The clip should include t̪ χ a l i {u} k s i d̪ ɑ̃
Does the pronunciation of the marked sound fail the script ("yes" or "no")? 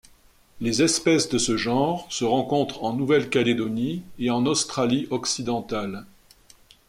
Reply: yes